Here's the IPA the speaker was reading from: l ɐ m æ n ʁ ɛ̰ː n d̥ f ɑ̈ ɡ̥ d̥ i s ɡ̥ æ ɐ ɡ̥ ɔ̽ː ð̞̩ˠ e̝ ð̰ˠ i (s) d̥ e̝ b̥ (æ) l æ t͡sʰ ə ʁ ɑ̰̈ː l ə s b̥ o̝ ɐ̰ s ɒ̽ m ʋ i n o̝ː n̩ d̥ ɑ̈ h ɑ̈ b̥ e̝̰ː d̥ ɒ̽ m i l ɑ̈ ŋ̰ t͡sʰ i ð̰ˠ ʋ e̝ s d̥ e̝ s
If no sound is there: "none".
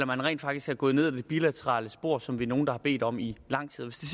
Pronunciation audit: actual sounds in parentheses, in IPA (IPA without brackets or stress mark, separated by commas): none, i